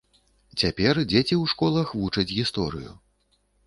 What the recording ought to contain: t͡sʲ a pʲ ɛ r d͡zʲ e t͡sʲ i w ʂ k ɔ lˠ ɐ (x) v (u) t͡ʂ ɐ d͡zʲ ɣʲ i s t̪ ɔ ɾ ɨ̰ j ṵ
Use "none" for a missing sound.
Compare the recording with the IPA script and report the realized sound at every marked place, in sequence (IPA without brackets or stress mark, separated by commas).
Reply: x, u